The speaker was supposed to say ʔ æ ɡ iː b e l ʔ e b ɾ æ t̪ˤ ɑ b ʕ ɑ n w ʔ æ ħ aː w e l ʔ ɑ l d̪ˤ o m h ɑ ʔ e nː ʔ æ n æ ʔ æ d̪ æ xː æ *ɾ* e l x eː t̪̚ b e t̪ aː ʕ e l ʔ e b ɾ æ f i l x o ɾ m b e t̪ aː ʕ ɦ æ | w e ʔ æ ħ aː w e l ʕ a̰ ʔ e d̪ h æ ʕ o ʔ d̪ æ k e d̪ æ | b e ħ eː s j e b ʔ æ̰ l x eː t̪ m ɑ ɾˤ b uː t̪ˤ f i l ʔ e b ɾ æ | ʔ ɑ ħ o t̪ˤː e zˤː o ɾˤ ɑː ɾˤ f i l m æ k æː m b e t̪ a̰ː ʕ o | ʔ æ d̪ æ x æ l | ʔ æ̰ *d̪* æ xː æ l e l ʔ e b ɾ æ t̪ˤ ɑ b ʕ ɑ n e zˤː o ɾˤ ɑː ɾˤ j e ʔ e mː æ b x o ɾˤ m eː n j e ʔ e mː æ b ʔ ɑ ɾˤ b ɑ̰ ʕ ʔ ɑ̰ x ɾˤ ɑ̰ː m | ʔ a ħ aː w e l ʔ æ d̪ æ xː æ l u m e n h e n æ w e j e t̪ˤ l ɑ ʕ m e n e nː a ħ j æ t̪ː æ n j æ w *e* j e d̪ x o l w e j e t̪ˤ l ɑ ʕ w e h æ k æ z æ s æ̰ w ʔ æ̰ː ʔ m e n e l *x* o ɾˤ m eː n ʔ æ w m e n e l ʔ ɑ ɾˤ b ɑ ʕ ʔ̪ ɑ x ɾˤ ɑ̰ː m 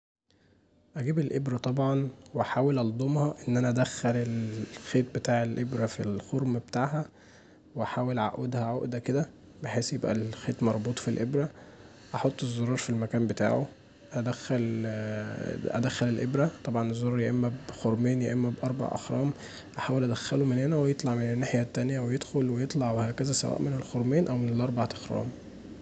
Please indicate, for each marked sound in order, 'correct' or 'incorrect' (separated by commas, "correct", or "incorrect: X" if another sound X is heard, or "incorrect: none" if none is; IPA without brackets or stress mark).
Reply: incorrect: l, correct, correct, correct